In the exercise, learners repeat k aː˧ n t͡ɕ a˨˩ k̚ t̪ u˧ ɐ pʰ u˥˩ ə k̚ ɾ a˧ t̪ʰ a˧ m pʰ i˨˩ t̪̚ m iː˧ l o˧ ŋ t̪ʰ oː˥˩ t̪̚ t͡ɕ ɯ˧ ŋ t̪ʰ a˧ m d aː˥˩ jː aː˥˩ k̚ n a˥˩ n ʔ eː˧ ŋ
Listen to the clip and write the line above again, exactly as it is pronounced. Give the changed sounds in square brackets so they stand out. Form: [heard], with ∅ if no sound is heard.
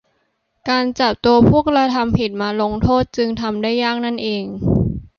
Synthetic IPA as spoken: k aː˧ n t͡ɕ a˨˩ [p̚] t̪ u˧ ɐ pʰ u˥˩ ə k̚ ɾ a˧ t̪ʰ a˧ m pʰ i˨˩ t̪̚ m [aː˧] l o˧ ŋ t̪ʰ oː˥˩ t̪̚ t͡ɕ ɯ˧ ŋ t̪ʰ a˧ m d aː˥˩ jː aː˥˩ k̚ n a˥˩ n ʔ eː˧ ŋ